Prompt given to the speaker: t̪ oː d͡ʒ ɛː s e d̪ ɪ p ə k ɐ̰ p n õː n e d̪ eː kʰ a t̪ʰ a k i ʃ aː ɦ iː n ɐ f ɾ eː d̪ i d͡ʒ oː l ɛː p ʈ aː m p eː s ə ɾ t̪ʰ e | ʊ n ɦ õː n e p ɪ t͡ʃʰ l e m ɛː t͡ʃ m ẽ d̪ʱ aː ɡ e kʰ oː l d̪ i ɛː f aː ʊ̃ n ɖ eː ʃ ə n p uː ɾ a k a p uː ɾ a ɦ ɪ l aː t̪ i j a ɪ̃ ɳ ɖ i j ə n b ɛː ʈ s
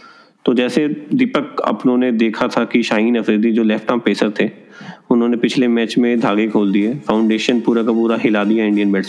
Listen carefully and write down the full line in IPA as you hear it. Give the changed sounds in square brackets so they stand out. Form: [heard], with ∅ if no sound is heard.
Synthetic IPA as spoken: t̪ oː d͡ʒ ɛː s e d̪ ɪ p ə k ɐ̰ p n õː n e d̪ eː kʰ a t̪ʰ a k i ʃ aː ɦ iː n ɐ f ɾ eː d̪ i d͡ʒ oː l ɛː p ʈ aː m p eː s ə ɾ t̪ʰ e | ʊ n ɦ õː n e p ɪ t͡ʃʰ l e m ɛː t͡ʃ m ẽ d̪ʱ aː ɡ e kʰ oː l d̪ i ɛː f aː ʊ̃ [ɳ] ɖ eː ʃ ə n p uː ɾ a k a p uː ɾ a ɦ ɪ l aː [d̪] i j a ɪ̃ ɳ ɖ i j ə n b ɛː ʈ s